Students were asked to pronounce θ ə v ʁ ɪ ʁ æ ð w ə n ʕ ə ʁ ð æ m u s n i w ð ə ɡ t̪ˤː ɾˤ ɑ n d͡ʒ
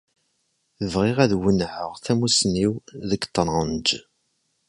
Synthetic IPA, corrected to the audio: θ ə v ʁ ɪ ʁ æ ð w ə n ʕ ə ʁ θ æ m u s n i w ð ə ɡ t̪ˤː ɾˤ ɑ n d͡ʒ